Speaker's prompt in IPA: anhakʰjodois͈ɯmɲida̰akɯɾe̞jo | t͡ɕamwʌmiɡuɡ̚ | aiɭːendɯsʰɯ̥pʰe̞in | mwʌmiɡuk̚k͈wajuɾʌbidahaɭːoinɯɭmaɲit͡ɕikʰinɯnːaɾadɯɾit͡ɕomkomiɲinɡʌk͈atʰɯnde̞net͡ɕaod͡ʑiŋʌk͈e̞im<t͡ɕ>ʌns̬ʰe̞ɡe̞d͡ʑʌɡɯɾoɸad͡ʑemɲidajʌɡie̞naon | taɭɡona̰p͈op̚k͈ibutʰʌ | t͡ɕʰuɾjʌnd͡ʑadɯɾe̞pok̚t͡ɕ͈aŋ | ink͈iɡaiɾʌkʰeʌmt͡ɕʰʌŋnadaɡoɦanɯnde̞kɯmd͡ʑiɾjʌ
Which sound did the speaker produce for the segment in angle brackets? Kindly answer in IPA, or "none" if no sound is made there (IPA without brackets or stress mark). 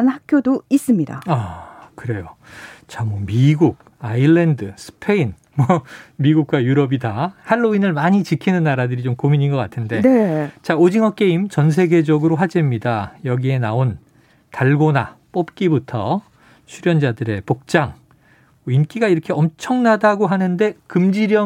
t͡ɕ